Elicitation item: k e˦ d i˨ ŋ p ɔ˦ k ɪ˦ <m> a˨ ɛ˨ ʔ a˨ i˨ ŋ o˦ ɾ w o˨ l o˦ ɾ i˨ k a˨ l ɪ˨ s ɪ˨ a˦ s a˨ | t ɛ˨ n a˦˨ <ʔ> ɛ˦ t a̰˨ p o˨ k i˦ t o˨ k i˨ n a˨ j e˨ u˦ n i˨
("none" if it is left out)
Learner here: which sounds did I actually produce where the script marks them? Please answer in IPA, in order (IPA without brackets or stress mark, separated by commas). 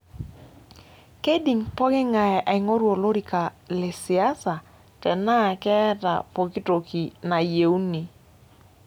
ŋ, k